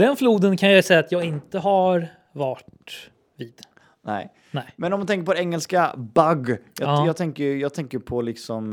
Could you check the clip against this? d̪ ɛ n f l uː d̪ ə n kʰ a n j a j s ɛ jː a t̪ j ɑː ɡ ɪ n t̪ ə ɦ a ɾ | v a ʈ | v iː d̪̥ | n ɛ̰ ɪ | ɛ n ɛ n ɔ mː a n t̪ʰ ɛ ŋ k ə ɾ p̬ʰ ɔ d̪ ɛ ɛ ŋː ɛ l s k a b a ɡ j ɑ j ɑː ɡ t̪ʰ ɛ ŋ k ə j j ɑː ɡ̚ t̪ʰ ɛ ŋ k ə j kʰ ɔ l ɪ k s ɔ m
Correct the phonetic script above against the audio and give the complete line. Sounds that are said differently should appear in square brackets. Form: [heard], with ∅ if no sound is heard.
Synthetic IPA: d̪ ɛ n f l uː d̪ ə n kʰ a n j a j s ɛ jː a t̪ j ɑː ɡ ɪ n t̪ ə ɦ a ɾ | v a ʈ | v iː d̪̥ | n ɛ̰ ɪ | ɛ [m] ɛ n ɔ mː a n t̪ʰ ɛ ŋ k ə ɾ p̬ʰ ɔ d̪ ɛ ɛ ŋː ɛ l s k a b a ɡ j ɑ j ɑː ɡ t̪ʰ ɛ ŋ k ə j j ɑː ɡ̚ t̪ʰ ɛ ŋ k ə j [pʰ] ɔ l ɪ k s ɔ m